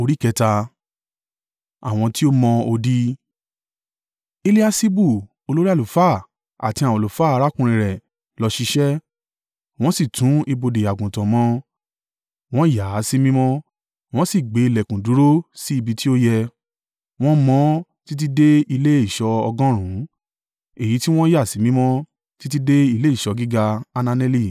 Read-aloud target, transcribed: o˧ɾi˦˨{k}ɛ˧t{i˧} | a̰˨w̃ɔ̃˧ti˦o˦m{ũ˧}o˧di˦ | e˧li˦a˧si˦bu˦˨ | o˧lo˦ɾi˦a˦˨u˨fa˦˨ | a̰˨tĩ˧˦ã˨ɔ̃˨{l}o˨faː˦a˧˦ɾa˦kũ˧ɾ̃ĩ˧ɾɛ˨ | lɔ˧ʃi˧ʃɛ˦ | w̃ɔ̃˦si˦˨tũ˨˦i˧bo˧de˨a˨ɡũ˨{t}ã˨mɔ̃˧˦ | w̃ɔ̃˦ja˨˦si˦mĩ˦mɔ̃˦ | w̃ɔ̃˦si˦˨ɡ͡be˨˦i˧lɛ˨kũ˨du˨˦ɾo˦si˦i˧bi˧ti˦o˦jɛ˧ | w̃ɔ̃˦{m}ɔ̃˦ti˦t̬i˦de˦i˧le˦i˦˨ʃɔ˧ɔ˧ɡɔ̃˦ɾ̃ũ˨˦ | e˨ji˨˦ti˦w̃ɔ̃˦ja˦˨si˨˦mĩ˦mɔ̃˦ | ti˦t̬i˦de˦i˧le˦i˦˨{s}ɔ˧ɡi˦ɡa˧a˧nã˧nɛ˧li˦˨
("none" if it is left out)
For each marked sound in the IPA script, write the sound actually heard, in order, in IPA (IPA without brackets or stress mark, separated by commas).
k, a˧, ɔ̃˧, l, t, m, ʃ